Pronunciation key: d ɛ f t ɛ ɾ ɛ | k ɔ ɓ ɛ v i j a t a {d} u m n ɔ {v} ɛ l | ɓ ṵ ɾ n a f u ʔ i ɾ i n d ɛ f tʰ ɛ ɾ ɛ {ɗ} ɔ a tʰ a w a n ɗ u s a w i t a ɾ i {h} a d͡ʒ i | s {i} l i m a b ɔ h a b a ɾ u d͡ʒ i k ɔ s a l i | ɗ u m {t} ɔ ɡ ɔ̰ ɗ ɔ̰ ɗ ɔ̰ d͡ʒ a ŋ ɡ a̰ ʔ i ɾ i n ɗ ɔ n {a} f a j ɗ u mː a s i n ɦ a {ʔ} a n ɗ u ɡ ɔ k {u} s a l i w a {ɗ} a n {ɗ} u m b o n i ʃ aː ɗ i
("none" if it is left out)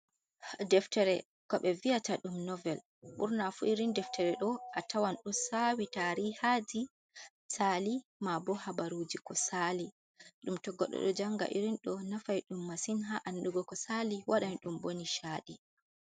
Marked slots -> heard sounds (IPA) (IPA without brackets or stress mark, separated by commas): ɗ, v, ɗ, h, a, t, a, ʔ, ɔ, ɗ, ɗ